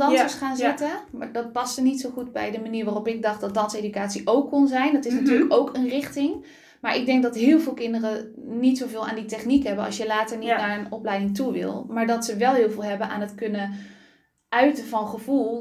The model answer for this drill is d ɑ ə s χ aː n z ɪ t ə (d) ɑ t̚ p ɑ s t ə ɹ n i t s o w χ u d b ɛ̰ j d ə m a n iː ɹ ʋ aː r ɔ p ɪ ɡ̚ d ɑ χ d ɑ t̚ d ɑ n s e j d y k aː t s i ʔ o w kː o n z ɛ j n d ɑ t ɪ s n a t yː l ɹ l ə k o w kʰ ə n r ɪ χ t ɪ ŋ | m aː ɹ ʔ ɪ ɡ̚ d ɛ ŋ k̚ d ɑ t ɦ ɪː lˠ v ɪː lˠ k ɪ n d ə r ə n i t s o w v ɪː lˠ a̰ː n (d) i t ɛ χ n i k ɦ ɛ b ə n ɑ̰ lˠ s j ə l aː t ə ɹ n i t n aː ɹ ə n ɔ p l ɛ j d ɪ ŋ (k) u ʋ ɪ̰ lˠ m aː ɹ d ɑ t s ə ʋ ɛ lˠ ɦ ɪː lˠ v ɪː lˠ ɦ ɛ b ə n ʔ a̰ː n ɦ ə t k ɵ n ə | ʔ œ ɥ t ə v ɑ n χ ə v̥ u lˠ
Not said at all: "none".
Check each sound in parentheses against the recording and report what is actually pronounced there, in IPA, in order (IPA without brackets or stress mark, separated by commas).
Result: d, d, t